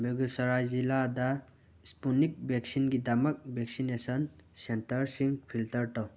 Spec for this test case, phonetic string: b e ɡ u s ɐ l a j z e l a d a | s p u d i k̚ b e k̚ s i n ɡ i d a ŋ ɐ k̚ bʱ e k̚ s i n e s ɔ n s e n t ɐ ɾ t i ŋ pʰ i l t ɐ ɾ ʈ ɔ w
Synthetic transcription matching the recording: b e ɡ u s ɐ ɾ a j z i l a d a | s p u n i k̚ b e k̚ s i n ɡ i d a m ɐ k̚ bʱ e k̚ s i n e s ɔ n s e n t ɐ ɾ s i ŋ pʰ i l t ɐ ɾ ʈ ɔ w